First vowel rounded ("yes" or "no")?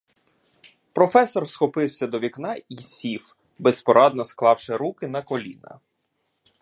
yes